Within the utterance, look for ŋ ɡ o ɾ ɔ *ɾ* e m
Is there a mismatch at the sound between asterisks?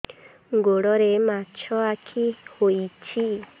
no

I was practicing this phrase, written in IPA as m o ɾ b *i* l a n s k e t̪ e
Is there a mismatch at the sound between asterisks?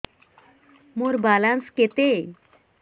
yes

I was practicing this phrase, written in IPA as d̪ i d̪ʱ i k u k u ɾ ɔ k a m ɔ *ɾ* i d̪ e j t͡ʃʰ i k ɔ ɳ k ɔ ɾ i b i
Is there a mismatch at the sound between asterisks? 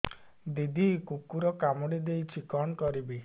yes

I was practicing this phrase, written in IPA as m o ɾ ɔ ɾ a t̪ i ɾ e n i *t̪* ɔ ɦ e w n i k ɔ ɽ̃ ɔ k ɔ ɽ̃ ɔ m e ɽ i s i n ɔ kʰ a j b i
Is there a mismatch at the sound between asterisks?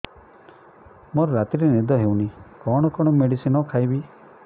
yes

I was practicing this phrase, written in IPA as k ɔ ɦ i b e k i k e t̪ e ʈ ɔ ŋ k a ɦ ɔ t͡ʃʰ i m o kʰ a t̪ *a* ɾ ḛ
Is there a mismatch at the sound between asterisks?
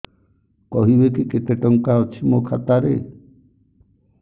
no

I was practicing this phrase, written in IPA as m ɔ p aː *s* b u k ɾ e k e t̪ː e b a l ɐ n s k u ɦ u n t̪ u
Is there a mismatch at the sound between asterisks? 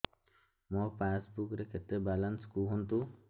no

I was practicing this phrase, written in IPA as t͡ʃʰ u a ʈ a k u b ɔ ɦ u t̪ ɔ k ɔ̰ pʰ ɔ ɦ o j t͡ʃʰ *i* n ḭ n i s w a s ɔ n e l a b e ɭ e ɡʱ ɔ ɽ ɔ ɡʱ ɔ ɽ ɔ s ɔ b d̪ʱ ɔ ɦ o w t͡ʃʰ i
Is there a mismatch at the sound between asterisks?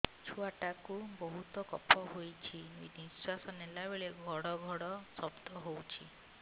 no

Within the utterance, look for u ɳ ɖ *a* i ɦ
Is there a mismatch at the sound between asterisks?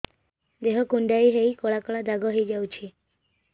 no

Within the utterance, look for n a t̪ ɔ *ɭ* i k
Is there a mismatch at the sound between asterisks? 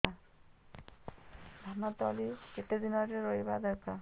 yes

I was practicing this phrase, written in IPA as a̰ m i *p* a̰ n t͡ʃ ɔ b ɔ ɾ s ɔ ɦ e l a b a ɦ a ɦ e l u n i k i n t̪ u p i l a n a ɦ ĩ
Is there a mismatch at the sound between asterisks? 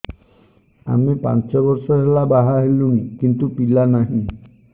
no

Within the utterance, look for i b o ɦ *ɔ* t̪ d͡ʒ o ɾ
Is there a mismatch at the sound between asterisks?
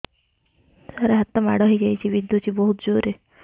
yes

